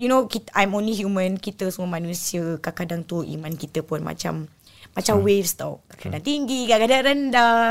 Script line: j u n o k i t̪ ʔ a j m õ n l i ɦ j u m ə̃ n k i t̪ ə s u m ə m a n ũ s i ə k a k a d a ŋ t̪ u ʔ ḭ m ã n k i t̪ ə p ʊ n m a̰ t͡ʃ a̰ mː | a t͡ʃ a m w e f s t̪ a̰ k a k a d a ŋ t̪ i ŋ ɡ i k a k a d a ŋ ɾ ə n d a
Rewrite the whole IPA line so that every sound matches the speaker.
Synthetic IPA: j u n o k i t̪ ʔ a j m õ n l i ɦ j u m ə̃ n k i t̪ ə s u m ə m a n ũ s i ə k a k a d a ŋ t̪ u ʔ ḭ m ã n k i t̪ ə p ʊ n m a̰ t͡ʃ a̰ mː | a t͡ʃ a m w e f s t̪ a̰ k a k a d a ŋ t̪ i ŋ ɡ i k a k a d a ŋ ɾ ə n d a